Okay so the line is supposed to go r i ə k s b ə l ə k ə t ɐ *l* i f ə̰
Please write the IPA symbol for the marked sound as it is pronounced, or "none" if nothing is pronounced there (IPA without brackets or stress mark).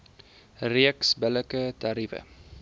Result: ɾ